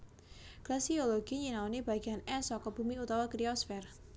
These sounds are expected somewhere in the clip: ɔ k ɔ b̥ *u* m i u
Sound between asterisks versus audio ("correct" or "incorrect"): correct